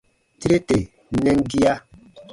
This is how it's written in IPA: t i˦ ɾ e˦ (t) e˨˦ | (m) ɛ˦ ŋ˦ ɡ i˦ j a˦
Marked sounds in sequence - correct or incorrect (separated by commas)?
correct, incorrect